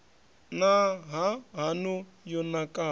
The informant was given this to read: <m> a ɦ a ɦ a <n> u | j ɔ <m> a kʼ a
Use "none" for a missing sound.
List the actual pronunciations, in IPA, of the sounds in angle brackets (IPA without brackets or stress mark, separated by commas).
n, n, n